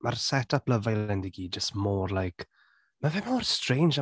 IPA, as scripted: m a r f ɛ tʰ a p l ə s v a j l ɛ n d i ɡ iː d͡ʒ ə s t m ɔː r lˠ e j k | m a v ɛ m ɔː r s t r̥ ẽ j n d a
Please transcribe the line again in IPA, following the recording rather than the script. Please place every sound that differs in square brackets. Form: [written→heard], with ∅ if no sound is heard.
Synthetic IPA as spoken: m a r [f→s] ɛ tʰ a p l ə [s→∅] v a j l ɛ n d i ɡ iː d͡ʒ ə s t m ɔː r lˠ [e→a] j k | m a v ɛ m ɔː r s t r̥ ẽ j n [d→d͡ʒ] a